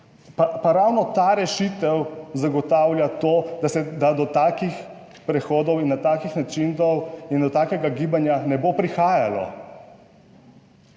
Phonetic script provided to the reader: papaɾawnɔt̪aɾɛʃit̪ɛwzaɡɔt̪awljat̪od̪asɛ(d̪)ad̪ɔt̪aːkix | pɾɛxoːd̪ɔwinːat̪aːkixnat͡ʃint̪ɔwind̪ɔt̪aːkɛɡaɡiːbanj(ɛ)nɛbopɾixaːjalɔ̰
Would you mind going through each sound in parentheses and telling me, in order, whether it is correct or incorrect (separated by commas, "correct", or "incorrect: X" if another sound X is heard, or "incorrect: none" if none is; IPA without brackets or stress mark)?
correct, incorrect: a